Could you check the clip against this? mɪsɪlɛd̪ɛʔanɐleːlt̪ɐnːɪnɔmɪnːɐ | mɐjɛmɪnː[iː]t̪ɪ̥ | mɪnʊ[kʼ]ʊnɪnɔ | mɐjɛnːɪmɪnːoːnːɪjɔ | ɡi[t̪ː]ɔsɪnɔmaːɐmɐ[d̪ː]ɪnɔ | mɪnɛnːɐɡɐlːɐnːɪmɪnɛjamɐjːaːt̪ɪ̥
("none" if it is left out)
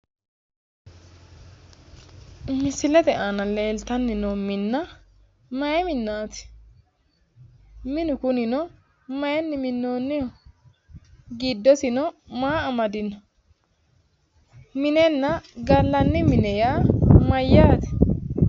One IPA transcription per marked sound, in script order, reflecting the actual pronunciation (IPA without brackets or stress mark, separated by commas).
aː, k, d̪ː, d̪